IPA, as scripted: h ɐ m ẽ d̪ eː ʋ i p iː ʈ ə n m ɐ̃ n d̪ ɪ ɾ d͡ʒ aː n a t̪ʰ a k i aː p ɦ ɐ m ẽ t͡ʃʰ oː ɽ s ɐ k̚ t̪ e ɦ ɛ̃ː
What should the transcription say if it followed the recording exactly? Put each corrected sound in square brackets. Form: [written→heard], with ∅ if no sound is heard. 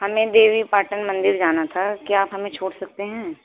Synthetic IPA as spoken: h ɐ m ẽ d̪ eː ʋ i p [iː→aː] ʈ ə n m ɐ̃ n d̪ ɪ ɾ d͡ʒ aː n a t̪ʰ a k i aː p ɦ ɐ m ẽ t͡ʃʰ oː ɽ s ɐ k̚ t̪ e ɦ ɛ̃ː